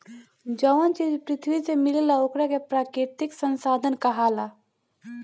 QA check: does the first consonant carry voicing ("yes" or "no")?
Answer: yes